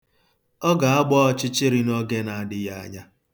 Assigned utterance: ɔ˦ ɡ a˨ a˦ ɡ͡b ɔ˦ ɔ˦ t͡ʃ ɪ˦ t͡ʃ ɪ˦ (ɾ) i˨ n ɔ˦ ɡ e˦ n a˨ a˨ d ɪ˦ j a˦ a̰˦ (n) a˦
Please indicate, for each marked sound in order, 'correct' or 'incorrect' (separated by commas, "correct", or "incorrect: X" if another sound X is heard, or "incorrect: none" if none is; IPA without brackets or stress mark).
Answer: correct, incorrect: ɲ